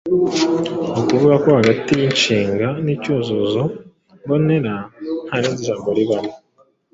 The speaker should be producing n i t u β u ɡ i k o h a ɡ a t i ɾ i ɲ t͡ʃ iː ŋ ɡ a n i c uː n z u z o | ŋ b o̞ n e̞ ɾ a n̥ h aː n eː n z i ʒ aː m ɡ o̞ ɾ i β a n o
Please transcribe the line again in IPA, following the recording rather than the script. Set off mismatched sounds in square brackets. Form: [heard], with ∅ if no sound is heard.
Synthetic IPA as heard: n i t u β u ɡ [a] k o h a ɡ a t i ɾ i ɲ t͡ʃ iː ŋ ɡ a n i c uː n z u z o | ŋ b o̞ n e̞ ɾ a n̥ h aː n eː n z i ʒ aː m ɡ o̞ ɾ i β a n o